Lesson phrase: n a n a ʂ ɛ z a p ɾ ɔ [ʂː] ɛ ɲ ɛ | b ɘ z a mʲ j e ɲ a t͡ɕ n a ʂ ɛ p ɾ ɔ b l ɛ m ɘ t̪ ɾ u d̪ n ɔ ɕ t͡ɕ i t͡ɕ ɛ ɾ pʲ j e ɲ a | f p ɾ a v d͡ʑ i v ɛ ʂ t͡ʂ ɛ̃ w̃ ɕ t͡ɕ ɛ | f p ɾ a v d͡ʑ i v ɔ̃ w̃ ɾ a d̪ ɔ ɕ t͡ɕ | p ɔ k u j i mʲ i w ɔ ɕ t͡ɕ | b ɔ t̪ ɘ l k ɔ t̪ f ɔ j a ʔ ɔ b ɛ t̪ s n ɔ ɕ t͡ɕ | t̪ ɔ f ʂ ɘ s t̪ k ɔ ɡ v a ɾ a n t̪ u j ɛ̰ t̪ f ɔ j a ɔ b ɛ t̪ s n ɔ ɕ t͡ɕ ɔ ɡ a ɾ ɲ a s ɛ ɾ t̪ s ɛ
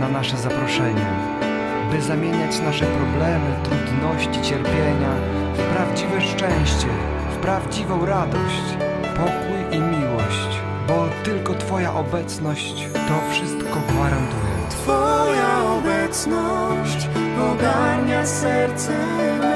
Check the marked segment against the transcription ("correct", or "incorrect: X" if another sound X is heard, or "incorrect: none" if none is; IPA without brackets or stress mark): incorrect: ʂ